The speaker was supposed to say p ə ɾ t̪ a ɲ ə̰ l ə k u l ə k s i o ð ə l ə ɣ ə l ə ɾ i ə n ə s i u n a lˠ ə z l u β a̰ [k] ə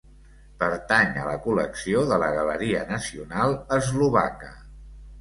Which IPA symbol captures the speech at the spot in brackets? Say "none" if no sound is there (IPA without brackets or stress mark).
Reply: k